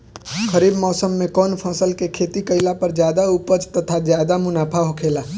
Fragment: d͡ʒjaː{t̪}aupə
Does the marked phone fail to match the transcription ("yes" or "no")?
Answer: yes